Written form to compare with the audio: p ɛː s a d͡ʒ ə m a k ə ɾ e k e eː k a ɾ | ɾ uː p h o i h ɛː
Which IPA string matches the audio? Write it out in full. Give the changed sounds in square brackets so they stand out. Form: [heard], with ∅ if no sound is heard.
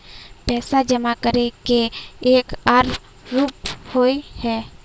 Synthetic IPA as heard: p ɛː s a d͡ʒ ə m a k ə ɾ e k e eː k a ɾ | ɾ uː p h o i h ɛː